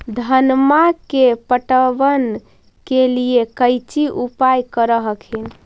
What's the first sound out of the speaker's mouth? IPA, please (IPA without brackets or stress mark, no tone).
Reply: d̪ʱ